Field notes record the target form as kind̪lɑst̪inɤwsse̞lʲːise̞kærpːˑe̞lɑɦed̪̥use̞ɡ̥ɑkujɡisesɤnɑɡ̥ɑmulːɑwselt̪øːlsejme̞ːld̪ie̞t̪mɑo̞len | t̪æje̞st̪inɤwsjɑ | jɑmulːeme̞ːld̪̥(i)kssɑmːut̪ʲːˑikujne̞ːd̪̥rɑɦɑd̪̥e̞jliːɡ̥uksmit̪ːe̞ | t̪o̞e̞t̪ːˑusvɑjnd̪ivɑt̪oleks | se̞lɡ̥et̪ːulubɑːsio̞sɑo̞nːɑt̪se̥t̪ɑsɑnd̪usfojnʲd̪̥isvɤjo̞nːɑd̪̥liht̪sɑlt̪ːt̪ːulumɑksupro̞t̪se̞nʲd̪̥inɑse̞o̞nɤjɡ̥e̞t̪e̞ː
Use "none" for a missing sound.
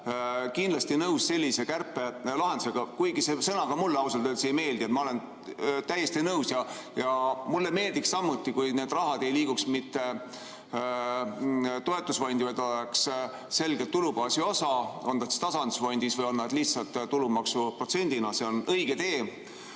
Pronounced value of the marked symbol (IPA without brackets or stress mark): i